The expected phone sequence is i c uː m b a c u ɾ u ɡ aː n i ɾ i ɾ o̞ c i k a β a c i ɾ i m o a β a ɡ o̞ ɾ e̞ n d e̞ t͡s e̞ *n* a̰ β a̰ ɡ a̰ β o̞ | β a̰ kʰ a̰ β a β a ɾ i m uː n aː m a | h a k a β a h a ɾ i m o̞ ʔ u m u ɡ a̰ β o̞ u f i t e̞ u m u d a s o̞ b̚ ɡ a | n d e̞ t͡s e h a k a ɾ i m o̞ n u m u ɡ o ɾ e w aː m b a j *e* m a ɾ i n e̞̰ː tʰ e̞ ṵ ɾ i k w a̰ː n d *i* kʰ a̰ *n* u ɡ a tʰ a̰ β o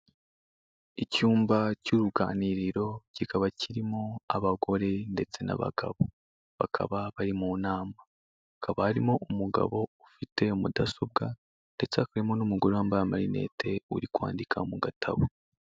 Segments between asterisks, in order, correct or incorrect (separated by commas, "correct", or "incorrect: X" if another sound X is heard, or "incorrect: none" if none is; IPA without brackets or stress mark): correct, incorrect: a, correct, incorrect: m